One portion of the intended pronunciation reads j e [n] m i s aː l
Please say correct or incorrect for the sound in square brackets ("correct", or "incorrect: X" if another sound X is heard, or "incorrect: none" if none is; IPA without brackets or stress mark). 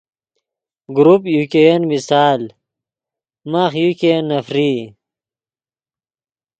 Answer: correct